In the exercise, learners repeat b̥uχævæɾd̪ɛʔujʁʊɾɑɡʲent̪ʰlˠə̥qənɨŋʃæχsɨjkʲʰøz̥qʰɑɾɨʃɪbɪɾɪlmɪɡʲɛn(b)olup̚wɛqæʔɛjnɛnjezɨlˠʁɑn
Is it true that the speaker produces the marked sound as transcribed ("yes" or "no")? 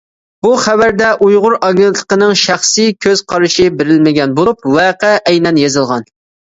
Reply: yes